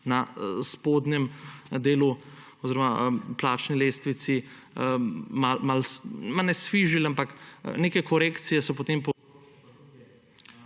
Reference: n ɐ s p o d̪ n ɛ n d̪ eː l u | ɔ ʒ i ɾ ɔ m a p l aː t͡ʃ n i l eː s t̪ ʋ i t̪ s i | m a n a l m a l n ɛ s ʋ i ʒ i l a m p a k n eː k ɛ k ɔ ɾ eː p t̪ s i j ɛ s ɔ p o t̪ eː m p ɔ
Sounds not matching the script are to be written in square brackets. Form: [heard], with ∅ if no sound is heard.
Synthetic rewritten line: n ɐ s p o d̪ n ɛ [m] d̪ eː l u | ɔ [z] i ɾ ɔ m a p l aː t͡ʃ n i l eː s t̪ ʋ i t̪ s i | m a [m] a l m a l n ɛ s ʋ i ʒ i l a m p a k n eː k ɛ k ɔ ɾ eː [k] t̪ s i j ɛ s ɔ p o t̪ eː m p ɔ